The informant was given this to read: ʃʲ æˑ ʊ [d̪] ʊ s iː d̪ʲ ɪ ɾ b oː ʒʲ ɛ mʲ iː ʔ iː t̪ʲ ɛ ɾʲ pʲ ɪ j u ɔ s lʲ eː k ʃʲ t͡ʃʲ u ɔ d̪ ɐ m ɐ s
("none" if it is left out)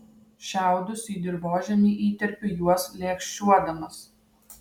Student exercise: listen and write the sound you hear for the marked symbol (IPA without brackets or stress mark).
d̪